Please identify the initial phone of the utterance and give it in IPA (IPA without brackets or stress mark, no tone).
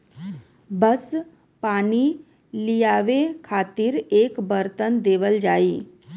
b